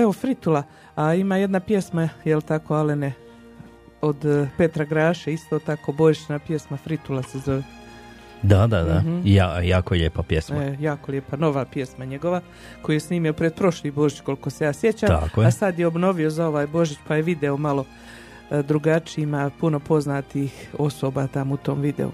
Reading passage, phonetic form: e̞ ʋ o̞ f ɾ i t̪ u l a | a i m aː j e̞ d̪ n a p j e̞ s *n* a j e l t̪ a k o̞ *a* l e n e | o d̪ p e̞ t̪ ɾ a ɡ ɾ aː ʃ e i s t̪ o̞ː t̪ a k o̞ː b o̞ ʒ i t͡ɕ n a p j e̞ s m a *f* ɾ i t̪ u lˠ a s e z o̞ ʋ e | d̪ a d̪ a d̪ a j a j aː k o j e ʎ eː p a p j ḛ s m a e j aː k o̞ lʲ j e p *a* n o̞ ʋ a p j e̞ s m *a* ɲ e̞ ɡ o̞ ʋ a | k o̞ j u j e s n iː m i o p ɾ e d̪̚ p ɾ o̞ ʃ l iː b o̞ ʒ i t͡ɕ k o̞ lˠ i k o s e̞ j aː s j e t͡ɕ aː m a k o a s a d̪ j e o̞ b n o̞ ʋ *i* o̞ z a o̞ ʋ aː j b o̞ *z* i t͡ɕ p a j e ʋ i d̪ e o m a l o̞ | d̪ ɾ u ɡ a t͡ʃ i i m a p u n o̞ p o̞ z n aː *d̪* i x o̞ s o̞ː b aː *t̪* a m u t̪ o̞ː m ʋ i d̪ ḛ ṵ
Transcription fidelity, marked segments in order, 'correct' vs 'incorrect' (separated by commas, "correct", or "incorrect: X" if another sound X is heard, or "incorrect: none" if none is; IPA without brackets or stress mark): incorrect: m, correct, correct, correct, correct, correct, incorrect: ʒ, incorrect: t̪, correct